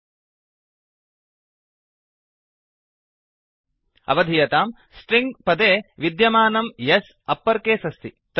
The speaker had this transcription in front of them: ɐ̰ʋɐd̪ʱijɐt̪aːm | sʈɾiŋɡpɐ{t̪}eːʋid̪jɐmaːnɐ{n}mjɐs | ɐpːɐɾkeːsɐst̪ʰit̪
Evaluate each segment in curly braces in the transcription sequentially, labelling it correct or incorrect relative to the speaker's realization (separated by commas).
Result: incorrect, incorrect